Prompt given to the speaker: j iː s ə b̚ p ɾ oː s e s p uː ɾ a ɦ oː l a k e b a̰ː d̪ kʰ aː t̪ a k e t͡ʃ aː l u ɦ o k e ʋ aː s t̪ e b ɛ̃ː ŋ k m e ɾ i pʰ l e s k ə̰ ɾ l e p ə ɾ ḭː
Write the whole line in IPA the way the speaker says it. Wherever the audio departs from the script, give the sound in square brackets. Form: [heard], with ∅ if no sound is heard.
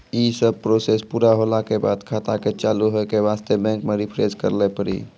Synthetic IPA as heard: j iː s ə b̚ p ɾ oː s e s p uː ɾ a ɦ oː l a k e b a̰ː d̪ kʰ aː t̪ a k e t͡ʃ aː l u ɦ o k e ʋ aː s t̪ e b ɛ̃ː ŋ k m e ɾ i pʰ [ɾ] e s k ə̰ ɾ l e p ə ɾ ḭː